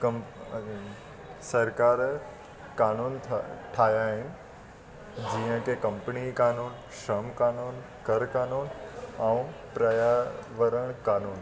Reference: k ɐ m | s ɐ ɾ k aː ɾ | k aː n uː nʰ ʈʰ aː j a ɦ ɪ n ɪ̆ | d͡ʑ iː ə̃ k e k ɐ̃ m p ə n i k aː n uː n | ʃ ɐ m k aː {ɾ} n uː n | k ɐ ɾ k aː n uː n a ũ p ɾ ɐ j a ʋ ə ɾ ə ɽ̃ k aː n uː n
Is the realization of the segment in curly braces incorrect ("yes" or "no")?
yes